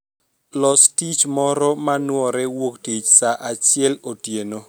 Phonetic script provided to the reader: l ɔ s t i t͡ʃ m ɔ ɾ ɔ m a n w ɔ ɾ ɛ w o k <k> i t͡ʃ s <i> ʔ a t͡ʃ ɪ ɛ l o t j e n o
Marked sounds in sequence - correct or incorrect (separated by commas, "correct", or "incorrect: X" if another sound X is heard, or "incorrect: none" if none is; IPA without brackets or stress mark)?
incorrect: t, incorrect: a